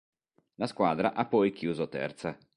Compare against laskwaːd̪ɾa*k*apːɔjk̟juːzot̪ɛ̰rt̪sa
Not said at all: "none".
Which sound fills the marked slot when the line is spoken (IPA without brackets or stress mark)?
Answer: ʔ